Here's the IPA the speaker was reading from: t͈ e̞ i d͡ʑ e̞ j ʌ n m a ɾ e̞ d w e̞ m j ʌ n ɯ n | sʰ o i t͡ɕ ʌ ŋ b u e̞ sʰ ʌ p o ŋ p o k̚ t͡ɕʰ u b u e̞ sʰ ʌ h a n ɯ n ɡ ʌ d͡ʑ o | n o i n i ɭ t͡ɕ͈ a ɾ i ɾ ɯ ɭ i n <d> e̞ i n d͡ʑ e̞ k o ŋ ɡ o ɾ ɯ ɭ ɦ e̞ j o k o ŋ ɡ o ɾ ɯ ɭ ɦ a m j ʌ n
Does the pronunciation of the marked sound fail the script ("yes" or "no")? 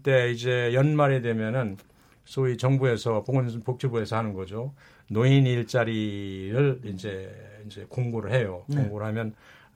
yes